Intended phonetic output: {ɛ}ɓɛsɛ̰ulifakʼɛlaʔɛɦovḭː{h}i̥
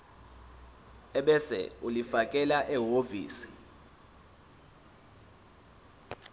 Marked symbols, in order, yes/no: yes, no

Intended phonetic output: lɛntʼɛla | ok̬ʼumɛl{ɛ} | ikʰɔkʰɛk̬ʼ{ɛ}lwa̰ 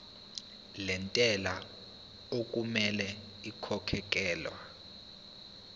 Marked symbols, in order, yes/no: yes, no

